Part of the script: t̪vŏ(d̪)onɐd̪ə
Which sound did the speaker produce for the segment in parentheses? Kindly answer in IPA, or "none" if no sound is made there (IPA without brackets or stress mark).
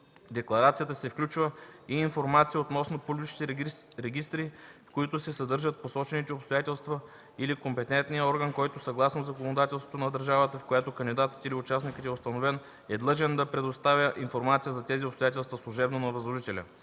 t̪